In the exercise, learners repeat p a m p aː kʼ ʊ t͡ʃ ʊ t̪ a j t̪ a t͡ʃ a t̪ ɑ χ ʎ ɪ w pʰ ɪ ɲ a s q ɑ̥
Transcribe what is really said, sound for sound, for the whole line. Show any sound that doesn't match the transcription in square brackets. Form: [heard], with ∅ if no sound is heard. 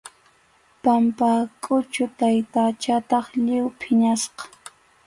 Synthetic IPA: p a m p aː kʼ ʊ t͡ʃ ʊ t̪ a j t̪ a t͡ʃ a t̪ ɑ χ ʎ ɪ w pʰ ɪ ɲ a s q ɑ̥